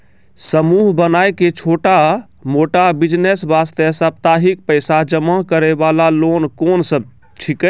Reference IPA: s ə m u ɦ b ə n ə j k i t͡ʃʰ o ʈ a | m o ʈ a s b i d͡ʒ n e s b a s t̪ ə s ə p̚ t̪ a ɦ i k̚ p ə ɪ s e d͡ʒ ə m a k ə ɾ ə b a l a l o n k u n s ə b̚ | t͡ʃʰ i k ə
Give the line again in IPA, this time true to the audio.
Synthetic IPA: s ə m u ɦ b ə n a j k e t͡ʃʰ o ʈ a | m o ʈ a b i d͡ʒ n e s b a s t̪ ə s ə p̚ t̪ a ɦ i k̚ p ə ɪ s a d͡ʒ ə m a k ə ɾ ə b a l a l o n k o n s ə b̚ | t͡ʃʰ i k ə